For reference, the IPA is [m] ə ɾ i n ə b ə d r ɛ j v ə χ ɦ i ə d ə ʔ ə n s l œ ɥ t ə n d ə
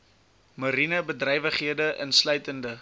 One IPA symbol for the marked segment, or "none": m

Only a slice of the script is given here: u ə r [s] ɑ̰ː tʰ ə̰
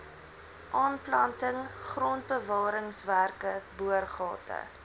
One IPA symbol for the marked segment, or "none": χ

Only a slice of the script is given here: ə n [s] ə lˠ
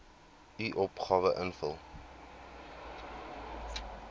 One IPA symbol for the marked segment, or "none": f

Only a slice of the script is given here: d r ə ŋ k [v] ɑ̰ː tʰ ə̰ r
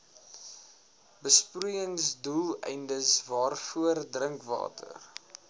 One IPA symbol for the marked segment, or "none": v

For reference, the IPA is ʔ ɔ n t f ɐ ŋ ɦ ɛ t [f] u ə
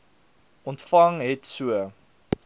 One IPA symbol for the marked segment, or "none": s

